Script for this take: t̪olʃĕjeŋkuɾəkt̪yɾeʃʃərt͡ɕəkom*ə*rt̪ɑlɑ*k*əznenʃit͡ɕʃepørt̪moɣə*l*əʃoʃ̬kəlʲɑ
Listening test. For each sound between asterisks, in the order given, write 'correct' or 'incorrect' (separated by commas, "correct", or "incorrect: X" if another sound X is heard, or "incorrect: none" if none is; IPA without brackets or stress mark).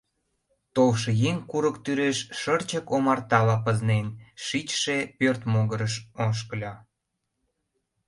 incorrect: ɑ, incorrect: p, incorrect: ɾ